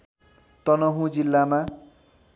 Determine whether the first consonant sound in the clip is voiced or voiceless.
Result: voiceless